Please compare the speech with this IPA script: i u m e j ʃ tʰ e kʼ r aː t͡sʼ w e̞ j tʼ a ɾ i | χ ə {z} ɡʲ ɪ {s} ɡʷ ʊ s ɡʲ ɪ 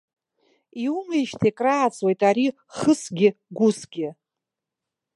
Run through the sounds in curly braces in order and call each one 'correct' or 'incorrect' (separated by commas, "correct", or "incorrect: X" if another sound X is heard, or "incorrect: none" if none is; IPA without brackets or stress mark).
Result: incorrect: s, incorrect: none